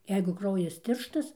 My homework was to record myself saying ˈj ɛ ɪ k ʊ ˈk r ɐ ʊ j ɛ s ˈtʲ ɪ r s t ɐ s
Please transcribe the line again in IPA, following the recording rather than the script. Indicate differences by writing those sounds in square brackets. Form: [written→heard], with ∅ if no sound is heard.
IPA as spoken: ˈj ɛ ɪ [k→ɡ] ʊ ˈk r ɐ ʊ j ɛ s ˈtʲ ɪ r [s→ʃ] t ɐ s

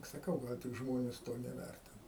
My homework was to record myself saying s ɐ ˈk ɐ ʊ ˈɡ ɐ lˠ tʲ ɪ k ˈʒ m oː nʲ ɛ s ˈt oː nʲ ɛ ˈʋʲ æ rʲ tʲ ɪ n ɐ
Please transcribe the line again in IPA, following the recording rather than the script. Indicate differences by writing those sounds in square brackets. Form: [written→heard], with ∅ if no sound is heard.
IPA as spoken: s ɐ ˈk ɐ ʊ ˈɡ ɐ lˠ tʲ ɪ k ˈʒ m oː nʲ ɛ s ˈt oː nʲ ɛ ˈʋʲ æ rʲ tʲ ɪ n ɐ

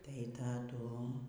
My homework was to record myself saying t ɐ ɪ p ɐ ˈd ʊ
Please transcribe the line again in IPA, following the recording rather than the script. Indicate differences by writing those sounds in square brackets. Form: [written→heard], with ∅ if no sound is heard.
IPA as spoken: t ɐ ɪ [p→t] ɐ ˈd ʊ

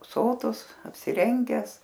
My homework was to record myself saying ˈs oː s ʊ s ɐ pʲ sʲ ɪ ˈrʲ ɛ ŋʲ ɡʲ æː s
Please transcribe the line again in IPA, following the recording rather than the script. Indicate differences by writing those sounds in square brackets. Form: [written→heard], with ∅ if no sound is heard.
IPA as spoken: ˈs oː [s→t] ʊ s ɐ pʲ sʲ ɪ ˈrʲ ɛ ŋʲ ɡʲ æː s

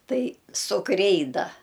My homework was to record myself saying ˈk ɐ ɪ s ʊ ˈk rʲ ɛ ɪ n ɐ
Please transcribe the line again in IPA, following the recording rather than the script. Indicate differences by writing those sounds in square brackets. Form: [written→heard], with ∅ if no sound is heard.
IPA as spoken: [ˈk→ˈt] ɐ ɪ s ʊ ˈk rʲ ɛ ɪ [n→d] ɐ

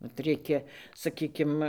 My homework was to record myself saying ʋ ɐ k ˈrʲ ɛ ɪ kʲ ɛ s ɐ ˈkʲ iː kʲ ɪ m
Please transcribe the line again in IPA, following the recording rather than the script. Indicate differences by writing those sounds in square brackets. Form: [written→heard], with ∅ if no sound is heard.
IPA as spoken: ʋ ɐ [k→t] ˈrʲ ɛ ɪ kʲ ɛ s ɐ ˈkʲ iː kʲ ɪ m

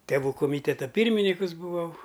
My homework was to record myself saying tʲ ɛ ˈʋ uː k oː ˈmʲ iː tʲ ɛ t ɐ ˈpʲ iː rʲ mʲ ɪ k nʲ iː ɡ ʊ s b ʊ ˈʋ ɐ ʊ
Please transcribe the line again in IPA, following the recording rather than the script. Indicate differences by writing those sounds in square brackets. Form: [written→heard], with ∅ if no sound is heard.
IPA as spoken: tʲ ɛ ˈʋ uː k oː ˈmʲ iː tʲ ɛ t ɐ ˈpʲ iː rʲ mʲ ɪ [k→∅] nʲ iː [ɡ→k] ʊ s b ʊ ˈʋ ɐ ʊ

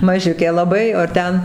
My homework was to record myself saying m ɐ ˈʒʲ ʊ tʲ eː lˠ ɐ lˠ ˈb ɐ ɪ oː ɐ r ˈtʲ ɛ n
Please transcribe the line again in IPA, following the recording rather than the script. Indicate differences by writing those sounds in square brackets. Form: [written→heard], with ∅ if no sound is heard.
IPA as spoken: m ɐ ˈʒʲ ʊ [tʲ→kʲ] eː lˠ ɐ [lˠ→∅] ˈb ɐ ɪ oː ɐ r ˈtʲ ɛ n

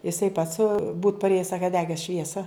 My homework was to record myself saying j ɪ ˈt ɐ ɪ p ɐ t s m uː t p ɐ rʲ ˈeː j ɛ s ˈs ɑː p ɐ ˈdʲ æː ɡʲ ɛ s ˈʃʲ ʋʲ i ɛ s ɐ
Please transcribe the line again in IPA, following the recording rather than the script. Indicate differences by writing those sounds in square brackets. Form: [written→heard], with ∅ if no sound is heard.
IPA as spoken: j ɪ [ˈt→ˈs] ɐ ɪ p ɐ t s [m→b] uː t p ɐ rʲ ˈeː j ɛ s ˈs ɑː [p→k] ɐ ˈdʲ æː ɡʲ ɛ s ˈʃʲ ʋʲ i ɛ s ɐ

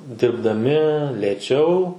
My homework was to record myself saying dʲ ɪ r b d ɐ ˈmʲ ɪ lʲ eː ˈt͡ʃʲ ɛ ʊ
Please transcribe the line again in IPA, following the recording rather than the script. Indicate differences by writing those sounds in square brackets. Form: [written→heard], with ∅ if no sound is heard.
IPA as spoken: dʲ ɪ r b d ɐ ˈmʲ ɪ lʲ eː ˈt͡ʃʲ ɛ ʊ

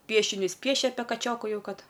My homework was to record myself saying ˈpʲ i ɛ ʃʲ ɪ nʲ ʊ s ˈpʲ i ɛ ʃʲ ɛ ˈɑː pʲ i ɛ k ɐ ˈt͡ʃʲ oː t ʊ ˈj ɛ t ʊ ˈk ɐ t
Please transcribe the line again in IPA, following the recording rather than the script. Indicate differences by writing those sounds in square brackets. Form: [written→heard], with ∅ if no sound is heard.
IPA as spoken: ˈpʲ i ɛ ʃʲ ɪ nʲ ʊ s ˈpʲ i ɛ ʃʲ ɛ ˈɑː pʲ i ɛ k ɐ ˈt͡ʃʲ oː [t→k] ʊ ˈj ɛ [t→∅] ʊ ˈk ɐ t

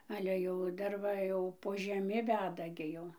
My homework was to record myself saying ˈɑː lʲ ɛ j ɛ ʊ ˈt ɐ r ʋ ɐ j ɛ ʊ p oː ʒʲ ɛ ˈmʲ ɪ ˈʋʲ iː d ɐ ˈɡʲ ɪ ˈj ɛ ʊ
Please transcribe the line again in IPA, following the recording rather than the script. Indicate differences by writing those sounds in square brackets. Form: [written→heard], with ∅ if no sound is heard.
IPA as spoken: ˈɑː lʲ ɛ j ɛ ʊ [ˈt→ˈd] ɐ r ʋ ɐ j ɛ ʊ p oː ʒʲ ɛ ˈmʲ ɪ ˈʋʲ [iː→æː] d ɐ ˈɡʲ ɪ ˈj ɛ ʊ

